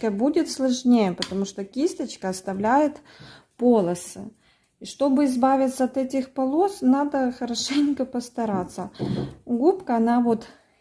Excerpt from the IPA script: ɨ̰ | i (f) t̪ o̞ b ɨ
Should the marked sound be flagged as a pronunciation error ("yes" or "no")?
yes